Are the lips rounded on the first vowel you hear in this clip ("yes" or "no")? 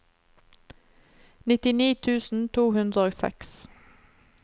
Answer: no